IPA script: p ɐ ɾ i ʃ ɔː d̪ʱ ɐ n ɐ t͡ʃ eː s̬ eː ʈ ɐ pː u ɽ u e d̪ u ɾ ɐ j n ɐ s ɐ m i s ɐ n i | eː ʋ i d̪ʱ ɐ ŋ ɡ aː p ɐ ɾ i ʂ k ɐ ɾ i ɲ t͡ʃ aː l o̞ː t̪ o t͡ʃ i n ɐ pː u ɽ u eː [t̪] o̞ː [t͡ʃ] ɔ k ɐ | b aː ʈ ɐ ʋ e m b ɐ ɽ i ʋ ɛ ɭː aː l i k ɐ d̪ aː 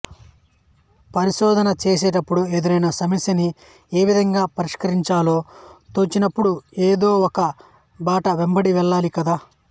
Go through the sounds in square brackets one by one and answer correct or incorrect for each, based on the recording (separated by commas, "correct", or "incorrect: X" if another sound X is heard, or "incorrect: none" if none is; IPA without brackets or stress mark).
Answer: incorrect: d̪, incorrect: none